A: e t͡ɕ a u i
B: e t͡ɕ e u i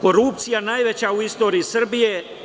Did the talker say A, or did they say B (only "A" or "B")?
A